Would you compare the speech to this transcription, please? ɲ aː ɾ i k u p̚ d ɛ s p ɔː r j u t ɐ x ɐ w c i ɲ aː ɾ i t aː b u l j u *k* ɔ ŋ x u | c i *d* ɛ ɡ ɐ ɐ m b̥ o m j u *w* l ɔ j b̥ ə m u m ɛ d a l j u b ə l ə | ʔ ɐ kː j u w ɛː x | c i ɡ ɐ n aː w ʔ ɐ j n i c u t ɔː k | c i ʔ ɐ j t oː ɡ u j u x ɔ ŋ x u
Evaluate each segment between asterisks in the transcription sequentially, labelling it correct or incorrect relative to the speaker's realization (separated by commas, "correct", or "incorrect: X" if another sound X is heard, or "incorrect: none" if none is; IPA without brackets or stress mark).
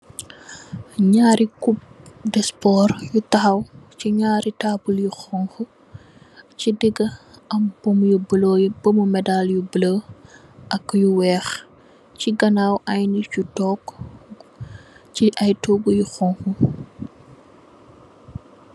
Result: incorrect: x, correct, incorrect: b